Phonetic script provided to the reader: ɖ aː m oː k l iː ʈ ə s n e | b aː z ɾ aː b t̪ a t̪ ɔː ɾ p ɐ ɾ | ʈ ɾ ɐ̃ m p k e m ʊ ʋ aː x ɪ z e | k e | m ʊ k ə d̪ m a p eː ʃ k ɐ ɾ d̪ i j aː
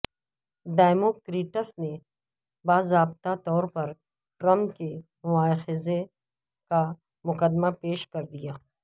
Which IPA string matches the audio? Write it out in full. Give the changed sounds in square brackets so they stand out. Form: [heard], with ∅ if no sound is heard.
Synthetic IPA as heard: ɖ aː m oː k [ɾ] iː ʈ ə s n e | b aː z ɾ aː b t̪ a t̪ ɔː ɾ p ɐ ɾ | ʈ ɾ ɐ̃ m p k e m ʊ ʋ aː x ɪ z e | k [a] | m ʊ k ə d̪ m a p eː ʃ k ɐ ɾ d̪ i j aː